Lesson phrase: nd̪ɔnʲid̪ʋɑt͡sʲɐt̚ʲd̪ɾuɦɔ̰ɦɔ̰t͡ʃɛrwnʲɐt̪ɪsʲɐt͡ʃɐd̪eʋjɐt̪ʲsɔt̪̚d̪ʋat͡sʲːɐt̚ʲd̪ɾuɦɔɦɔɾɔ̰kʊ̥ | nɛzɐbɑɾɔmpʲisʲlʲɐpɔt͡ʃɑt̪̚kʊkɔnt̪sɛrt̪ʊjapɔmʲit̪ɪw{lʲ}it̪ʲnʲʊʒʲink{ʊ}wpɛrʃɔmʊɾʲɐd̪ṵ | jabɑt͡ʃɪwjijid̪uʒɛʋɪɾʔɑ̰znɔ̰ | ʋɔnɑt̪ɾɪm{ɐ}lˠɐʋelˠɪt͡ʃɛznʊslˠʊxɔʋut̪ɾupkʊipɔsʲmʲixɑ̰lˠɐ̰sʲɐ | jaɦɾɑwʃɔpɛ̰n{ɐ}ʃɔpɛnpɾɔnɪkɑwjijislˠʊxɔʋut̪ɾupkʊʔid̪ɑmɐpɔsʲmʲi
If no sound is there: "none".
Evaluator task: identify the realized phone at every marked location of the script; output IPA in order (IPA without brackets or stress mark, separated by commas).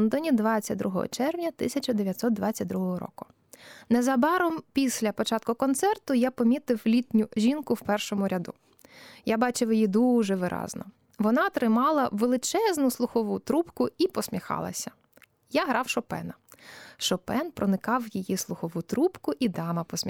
lʲ, ʊ, ɑ, ɐ